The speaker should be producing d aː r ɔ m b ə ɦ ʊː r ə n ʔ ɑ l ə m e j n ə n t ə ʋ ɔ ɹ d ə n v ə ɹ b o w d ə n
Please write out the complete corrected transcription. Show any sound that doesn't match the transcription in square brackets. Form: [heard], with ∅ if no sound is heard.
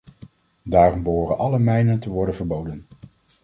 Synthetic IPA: d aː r ɔ m b ə ɦ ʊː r ə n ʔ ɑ l ə m [ɛ] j n ə n t ə ʋ ɔ ɹ d ə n v ə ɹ b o w d ə n